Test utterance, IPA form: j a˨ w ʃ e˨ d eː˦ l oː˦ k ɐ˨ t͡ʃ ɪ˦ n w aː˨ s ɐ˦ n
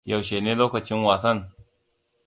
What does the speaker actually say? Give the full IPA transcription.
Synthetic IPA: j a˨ w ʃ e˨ n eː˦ l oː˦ k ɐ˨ t͡ʃ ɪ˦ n w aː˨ s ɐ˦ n